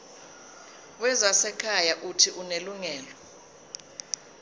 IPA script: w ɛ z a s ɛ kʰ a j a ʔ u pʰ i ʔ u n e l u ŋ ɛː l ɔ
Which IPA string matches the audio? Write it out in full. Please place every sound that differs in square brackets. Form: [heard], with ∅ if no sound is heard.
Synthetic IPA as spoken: w ɛ z a s ɛ kʰ a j a ʔ u [tʰ] i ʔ u n e l u ŋ ɛː l ɔ